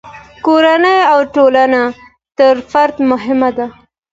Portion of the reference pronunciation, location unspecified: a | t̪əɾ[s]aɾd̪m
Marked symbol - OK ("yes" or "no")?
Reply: no